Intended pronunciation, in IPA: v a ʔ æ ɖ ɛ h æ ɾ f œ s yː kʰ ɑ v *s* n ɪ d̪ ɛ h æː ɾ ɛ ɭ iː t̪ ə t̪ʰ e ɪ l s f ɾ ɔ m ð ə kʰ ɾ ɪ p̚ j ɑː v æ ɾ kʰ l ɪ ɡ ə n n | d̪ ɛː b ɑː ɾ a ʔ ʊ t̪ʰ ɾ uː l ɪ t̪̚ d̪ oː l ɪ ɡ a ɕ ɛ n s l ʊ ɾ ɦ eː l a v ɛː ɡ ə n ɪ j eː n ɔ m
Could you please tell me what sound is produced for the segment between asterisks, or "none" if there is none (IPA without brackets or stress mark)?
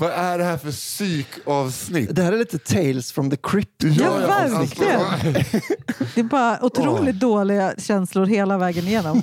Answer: s